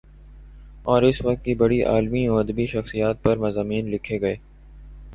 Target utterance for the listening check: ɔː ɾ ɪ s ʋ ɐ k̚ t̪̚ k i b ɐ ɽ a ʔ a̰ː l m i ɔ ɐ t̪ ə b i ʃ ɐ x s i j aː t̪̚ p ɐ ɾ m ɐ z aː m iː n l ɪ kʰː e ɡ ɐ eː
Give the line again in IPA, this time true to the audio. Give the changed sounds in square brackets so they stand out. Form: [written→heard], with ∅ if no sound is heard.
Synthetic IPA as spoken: ɔː ɾ ɪ s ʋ ɐ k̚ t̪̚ k i b ɐ ɽ [a→i] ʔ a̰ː l m i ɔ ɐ [t̪→d̪] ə b i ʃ ɐ x s i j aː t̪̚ p ɐ ɾ m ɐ z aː m iː n l ɪ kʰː e ɡ ɐ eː